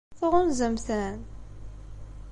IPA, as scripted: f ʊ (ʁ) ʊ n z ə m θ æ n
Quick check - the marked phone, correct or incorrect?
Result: correct